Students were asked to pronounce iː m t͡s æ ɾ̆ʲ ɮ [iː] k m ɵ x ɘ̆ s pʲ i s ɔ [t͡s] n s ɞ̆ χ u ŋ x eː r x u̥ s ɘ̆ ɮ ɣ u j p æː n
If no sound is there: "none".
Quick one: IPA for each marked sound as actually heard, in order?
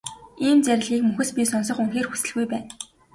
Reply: iː, none

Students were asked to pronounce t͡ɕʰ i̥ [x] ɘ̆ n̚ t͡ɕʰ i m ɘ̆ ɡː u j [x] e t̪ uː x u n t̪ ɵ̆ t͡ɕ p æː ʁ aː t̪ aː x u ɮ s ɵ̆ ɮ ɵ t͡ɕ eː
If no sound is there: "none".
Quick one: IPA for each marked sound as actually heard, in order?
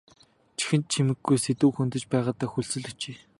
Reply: x, s

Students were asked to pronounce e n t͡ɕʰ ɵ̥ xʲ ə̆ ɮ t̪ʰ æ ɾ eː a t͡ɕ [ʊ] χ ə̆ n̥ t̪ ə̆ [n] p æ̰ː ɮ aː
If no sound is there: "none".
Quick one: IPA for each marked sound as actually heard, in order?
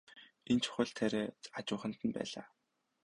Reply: ʊː, n

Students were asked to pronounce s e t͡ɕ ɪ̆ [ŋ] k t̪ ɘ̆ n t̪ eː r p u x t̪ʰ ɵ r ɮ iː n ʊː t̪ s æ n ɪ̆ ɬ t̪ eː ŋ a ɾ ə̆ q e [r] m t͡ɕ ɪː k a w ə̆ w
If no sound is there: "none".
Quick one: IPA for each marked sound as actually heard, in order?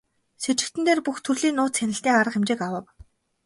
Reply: none, none

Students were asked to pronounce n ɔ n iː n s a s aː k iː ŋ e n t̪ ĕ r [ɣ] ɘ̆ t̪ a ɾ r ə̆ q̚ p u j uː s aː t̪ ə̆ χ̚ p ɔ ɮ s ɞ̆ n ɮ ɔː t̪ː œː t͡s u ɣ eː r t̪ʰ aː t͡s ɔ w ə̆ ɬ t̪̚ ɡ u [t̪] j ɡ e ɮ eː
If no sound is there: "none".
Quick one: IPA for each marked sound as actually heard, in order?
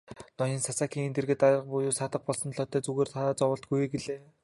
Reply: ɣ, none

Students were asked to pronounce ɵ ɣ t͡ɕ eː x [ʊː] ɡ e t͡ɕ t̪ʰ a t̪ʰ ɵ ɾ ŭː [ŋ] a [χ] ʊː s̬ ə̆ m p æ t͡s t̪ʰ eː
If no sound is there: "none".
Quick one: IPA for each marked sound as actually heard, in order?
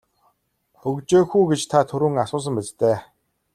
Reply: uː, ŋ, s

